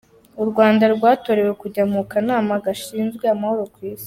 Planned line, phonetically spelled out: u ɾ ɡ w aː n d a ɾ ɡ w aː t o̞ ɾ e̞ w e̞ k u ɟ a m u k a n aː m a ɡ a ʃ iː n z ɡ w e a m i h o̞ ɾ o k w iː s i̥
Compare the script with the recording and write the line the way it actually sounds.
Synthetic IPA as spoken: u ɾ ɡ w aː n d a ɾ ɡ w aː t o̞ ɾ e̞ w e̞ k u ɟ a m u k a n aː m a ɡ a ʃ iː n z ɡ w e a m a h o̞ ɾ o k w iː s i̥